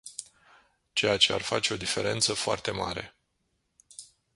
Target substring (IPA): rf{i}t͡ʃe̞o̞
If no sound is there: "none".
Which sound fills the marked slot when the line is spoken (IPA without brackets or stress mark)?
a